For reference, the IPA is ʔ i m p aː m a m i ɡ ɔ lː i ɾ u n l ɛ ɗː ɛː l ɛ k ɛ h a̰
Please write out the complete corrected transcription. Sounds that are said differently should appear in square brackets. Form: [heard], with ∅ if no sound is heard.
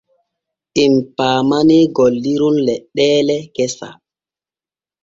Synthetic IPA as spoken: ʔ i m p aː m a [n] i ɡ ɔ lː i ɾ u n l ɛ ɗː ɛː l ɛ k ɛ [s] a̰